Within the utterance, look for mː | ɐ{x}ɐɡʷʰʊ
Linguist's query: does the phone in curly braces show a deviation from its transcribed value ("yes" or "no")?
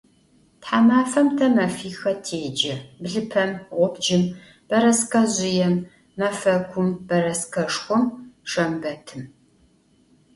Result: yes